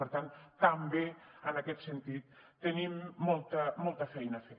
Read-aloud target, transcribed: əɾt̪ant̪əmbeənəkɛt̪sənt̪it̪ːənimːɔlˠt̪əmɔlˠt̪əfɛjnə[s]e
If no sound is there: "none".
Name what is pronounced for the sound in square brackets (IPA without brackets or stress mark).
f